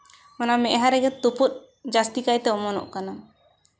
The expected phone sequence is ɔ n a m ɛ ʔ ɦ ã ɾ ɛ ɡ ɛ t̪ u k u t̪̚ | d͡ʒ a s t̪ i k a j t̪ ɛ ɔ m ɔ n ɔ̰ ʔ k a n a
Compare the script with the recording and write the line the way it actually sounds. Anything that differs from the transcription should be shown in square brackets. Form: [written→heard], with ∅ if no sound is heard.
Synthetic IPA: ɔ n a m ɛ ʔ ɦ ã ɾ ɛ ɡ ɛ t̪ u [k→p] u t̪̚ | d͡ʒ a s t̪ i k a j t̪ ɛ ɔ m ɔ n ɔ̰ ʔ k a n a